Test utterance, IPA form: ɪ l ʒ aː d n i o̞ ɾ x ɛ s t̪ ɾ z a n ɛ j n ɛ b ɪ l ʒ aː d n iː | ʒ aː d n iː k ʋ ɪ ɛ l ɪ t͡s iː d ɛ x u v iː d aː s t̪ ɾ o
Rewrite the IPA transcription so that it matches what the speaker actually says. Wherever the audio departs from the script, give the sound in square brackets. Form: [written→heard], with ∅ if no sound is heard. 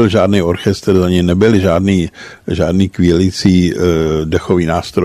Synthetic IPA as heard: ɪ l ʒ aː d n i o̞ ɾ x ɛ s t̪ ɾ z a [n→ɲ] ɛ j n ɛ b ɪ l ʒ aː d n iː | ʒ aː d n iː k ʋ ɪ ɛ l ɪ t͡s iː d ɛ x [u→o] v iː [d→n] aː s t̪ ɾ o